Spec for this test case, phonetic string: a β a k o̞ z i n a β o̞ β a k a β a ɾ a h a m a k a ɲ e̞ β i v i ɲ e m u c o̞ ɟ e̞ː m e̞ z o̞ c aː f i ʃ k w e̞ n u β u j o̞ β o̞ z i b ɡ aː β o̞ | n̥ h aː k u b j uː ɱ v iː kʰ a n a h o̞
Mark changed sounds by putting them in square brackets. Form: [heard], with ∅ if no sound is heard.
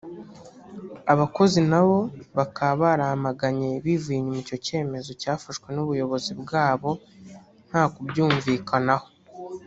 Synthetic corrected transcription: a β a k o̞ z i n a β o̞ β a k a β a ɾ a h a m a [ɡ] a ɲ e̞ β i v i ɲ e m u c o̞ [c] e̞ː m e̞ z o̞ c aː f [a] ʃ k w e̞ n u β u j o̞ β o̞ z i b ɡ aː β o̞ | n̥ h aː k u b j uː ɱ v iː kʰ a n a h o̞